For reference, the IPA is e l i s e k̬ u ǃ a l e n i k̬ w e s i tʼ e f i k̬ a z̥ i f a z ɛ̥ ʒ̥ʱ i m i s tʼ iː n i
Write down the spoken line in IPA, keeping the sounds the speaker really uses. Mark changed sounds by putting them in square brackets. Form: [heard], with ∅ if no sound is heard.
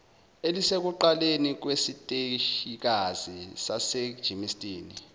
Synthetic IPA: e l i s e k̬ u ǃ a l e n i k̬ w e s i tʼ e [ʃ] i k̬ a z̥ i [s] a [s] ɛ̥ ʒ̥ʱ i m i s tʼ iː n i